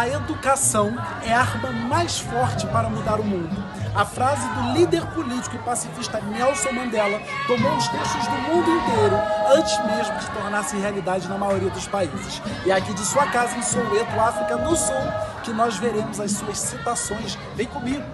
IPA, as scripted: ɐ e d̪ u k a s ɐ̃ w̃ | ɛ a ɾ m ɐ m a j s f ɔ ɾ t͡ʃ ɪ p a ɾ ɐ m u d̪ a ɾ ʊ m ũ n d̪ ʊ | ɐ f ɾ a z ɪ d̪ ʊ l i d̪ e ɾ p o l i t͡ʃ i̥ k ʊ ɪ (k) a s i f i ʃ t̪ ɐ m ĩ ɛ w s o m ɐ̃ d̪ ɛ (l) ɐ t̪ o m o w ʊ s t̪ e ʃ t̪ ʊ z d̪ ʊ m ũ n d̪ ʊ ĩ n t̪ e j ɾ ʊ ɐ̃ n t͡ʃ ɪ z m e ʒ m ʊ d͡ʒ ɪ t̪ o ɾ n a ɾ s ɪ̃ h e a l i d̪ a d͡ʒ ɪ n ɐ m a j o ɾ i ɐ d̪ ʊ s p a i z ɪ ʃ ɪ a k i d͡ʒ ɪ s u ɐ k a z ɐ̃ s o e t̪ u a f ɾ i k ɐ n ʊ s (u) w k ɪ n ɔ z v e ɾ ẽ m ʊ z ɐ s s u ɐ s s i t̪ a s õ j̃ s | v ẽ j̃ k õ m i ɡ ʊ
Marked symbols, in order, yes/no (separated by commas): no, yes, yes